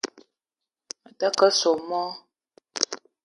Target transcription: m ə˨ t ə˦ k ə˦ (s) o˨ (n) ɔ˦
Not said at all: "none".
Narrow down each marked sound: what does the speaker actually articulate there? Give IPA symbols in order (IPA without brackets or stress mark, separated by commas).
s, m